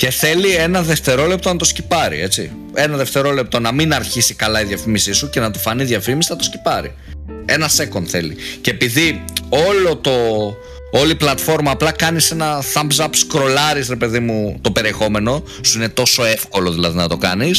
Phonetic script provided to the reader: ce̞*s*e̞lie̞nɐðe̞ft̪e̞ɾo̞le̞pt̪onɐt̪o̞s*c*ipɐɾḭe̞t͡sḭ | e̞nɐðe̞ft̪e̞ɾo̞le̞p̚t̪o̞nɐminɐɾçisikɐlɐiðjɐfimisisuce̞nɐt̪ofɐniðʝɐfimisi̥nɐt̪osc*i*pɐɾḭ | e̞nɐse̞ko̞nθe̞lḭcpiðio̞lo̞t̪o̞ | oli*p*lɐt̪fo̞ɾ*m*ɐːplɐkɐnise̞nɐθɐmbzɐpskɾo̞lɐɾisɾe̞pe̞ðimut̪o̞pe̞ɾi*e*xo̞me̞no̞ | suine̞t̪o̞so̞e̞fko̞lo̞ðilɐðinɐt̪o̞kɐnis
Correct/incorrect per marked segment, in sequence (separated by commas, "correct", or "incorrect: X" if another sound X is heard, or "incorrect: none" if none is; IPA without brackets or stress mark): incorrect: θ, correct, correct, correct, correct, correct